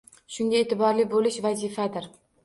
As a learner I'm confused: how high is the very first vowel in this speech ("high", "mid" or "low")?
high